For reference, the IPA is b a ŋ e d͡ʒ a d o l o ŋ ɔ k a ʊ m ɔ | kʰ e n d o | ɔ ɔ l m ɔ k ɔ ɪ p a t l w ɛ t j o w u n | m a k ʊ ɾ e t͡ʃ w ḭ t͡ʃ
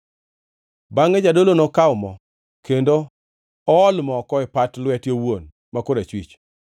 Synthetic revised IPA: b a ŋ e d͡ʒ a d o l o n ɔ k a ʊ m ɔ | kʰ e n d o | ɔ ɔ l m ɔ k ɔ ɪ p a t l w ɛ t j o w o n | m a k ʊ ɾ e t͡ʃ w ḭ t͡ʃ